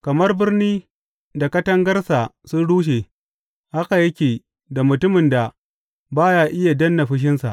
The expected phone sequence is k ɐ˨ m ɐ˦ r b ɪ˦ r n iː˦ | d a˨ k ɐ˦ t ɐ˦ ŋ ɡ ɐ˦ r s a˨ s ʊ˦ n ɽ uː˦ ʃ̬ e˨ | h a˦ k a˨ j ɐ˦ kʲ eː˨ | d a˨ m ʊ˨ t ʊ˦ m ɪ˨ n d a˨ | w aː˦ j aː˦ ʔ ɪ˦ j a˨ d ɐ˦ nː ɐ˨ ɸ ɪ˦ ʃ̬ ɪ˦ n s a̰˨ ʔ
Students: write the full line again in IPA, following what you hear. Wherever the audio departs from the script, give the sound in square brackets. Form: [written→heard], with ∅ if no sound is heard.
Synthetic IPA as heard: k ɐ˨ m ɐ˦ r b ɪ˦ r n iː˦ | d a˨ k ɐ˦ t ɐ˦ ŋ ɡ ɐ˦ r s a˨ s ʊ˦ n ɽ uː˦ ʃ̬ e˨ | h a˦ k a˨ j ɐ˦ kʲ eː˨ | d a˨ m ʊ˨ t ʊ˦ m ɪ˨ n d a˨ | [w→b] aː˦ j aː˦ ʔ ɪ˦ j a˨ d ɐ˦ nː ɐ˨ ɸ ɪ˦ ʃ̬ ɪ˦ n s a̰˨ ʔ